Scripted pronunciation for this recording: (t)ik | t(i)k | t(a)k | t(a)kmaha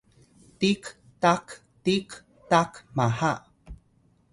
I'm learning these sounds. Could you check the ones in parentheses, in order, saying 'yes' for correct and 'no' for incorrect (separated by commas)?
yes, no, no, yes